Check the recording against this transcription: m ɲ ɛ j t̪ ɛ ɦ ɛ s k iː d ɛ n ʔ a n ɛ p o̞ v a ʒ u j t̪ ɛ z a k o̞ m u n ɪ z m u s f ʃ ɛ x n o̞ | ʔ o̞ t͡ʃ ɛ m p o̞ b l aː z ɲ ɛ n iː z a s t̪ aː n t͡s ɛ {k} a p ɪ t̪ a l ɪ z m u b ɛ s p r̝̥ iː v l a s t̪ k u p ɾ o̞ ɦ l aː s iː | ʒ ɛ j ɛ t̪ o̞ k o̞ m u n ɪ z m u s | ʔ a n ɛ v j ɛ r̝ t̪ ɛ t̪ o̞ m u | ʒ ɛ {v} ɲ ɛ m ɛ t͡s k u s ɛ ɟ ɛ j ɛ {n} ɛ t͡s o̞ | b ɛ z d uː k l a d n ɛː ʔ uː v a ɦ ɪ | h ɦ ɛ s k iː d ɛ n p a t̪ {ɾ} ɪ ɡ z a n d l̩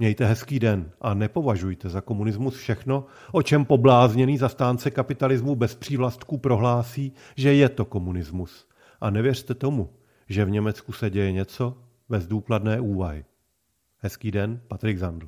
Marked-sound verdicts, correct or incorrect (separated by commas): correct, correct, incorrect, correct